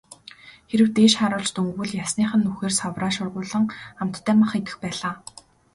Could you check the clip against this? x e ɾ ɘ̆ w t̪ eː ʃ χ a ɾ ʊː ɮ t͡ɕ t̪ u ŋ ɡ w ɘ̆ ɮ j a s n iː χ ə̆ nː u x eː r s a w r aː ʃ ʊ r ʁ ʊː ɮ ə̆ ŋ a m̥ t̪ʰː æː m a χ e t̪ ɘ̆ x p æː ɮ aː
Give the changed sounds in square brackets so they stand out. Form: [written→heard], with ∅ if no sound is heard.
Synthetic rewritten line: x e ɾ ɘ̆ w t̪ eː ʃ χ a ɾ ʊː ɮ t͡ɕ t̪ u ŋ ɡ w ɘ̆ ɮ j a s n iː χ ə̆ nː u x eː r s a w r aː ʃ ʊ r ʁ ʊː ɮ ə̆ ŋ a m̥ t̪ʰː æː m a χ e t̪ ɘ̆ x p æː ɮ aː